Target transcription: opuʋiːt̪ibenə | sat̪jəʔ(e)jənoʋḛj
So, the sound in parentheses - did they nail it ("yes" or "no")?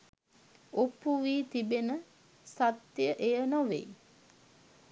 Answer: yes